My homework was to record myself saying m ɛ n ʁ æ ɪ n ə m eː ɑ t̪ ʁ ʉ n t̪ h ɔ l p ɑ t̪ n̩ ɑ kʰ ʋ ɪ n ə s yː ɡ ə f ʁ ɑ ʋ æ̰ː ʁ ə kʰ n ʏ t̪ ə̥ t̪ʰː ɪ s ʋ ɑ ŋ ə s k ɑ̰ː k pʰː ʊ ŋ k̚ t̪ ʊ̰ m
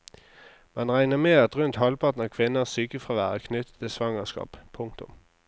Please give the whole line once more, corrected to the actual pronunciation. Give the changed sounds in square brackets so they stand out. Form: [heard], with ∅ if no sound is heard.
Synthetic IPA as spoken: m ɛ n ʁ æ ɪ n ə m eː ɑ t̪ ʁ ʉ n t̪ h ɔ l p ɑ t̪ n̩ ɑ kʰ ʋ ɪ n ə s yː [k] ə f ʁ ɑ ʋ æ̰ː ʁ ə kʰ n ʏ t̪ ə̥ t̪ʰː ɪ s ʋ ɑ ŋ ə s k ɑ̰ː [p] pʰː ʊ ŋ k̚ t̪ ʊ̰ m